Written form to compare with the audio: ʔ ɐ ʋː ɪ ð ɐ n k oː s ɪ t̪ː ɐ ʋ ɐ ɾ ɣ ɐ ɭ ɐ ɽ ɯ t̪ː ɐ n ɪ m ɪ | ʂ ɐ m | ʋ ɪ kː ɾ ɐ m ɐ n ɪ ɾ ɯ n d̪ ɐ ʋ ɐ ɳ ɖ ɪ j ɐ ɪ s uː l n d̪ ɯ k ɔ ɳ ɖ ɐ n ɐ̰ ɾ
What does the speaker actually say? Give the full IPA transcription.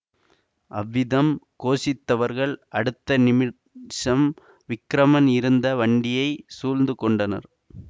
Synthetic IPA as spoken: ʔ ɐ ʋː ɪ ð ɐ m k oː s ɪ t̪ː ɐ ʋ ɐ ɾ ɣ ɐ ɭ ɐ ɽ ɯ t̪ː ɐ n ɪ m ɪ | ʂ ɐ m | ʋ ɪ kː ɾ ɐ m ɐ n ɪ ɾ ɯ n d̪ ɐ ʋ ɐ ɳ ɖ ɪ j ɐ ɪ s uː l n d̪ ɯ k ɔ ɳ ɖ ɐ n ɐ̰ ɾ